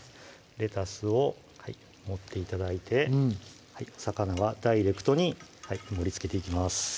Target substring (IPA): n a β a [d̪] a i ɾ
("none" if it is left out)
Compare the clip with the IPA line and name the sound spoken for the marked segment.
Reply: d̪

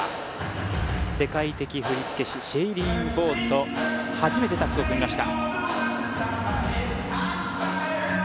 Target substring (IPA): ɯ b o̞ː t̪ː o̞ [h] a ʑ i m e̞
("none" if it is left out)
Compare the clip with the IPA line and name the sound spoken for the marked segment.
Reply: h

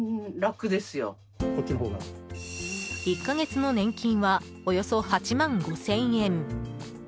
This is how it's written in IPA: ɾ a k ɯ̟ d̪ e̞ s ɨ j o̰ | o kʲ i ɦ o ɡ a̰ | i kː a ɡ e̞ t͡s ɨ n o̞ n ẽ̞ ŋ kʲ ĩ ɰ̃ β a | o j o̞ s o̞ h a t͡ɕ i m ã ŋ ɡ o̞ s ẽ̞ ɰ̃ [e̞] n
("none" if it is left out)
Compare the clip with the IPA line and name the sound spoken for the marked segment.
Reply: ẽ̞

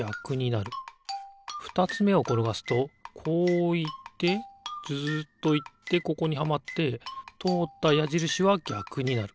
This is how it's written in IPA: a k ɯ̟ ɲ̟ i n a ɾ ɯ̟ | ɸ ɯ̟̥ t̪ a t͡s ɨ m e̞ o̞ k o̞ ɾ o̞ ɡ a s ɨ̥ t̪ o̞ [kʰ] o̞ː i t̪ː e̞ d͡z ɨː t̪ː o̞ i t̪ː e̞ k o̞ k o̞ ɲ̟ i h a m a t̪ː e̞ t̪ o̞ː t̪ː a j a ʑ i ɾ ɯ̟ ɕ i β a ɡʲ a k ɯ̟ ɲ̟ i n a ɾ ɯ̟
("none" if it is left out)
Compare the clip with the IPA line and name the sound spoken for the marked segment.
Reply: kʰ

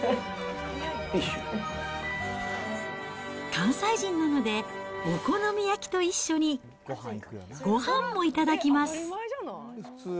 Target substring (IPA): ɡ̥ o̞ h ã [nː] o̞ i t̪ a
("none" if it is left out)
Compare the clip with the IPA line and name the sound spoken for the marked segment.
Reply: mː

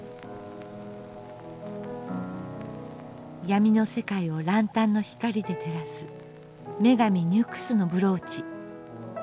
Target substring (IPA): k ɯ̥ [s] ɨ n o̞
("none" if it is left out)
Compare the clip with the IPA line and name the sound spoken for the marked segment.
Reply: s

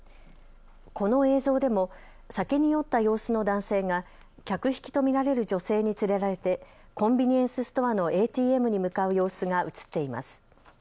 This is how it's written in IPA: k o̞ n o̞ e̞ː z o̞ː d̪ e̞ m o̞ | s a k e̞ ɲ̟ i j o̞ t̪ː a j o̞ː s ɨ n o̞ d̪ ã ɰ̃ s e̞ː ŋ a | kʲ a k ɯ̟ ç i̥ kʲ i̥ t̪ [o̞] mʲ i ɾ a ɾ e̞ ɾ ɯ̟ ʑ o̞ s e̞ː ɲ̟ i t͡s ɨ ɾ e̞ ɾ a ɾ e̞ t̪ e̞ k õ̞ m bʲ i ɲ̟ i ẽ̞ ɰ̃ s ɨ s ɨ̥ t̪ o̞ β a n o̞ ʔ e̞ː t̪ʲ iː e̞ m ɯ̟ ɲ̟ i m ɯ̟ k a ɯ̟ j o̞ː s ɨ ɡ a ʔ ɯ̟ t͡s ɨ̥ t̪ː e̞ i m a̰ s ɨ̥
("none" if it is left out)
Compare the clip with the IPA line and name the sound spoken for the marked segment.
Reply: o̞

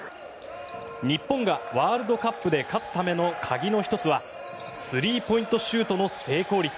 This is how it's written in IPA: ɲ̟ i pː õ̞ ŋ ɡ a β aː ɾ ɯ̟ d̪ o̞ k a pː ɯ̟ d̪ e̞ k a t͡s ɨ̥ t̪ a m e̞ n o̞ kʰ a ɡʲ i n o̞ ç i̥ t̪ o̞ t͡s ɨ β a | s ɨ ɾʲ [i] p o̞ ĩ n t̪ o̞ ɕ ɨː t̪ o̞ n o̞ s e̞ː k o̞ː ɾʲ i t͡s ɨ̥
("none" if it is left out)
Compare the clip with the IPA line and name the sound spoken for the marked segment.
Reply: iː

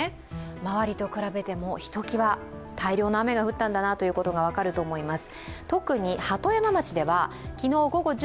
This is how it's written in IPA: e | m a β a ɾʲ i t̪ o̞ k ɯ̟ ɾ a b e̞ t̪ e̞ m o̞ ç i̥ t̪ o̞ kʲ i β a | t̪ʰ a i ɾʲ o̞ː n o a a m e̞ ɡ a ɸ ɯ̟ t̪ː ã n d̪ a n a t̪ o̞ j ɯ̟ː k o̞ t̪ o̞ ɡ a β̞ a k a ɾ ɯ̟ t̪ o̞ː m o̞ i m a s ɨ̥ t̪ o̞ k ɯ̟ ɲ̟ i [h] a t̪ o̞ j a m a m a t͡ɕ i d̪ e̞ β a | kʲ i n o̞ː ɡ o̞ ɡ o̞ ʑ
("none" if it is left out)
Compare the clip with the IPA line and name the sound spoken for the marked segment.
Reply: h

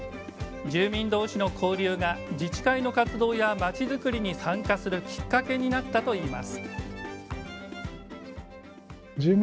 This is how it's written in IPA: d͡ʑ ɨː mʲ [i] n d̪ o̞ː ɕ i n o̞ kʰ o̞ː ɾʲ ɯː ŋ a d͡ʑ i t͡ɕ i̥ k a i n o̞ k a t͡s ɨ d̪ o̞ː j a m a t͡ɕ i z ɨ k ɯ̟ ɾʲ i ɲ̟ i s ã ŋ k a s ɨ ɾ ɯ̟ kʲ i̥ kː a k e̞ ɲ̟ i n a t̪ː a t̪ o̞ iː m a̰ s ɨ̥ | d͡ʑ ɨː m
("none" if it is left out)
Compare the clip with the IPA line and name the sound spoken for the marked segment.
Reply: ĩ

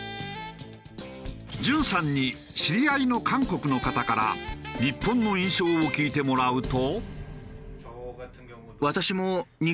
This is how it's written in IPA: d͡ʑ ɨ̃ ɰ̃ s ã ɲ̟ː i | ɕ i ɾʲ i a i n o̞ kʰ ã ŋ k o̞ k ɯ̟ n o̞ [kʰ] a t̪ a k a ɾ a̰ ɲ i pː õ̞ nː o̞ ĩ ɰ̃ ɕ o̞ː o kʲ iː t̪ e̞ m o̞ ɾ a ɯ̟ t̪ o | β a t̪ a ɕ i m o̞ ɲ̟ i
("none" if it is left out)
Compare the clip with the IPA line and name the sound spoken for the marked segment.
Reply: k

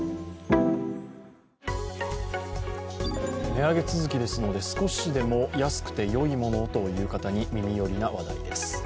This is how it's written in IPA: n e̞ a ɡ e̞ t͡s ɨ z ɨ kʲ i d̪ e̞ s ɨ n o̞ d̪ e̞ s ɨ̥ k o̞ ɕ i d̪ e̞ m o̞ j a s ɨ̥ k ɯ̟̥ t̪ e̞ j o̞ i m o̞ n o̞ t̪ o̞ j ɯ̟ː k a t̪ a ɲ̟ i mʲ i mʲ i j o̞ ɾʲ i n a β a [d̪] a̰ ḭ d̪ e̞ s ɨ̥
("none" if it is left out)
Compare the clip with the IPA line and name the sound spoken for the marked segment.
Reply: d̪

